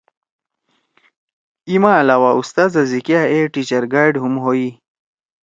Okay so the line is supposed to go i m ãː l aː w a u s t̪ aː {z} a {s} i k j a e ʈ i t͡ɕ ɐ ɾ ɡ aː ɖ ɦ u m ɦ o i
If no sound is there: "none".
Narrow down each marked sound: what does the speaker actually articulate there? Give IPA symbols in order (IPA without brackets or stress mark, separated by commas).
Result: z, z